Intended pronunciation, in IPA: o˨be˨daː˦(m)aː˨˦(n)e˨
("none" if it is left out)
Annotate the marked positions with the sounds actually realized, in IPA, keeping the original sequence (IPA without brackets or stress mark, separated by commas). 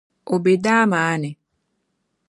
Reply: m, n